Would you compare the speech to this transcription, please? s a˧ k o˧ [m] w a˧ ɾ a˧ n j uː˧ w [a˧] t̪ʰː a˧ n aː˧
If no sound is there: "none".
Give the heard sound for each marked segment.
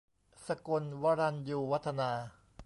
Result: n, a˦˥

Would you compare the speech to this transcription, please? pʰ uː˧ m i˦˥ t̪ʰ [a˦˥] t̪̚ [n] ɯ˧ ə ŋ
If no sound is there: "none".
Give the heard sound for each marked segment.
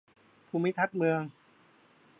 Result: a˦˥, m

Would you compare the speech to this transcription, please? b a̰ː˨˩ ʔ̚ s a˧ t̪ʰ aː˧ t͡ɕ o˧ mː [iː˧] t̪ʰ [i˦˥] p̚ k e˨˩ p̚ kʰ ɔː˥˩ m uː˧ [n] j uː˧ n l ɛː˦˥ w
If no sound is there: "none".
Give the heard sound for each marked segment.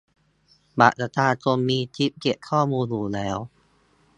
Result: iː˧, i˦˥, n

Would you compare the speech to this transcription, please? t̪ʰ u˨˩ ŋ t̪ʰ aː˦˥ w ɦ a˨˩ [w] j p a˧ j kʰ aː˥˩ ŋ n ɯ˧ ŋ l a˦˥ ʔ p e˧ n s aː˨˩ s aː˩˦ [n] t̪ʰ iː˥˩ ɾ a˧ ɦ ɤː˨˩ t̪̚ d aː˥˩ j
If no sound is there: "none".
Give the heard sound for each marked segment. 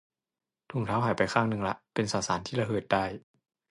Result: none, n

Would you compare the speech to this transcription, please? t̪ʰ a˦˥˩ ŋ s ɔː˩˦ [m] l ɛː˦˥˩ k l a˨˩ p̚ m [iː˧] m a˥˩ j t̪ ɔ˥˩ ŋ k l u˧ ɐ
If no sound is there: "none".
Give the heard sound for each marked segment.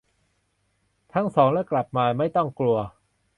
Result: ŋ, aː˧

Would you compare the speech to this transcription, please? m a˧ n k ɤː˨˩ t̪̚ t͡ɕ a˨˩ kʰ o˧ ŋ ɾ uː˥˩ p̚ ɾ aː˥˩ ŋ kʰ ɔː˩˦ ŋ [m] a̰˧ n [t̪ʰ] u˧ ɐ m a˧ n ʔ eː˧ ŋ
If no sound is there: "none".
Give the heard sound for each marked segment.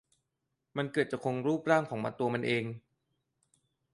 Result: m, t̪

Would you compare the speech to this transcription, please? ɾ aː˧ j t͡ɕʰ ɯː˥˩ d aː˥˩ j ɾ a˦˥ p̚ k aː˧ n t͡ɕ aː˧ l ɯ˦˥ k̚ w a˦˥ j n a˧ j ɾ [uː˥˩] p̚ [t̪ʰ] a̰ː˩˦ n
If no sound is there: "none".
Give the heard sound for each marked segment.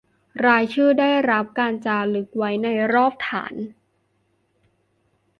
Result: ɔː˥˩, t̪ʰ

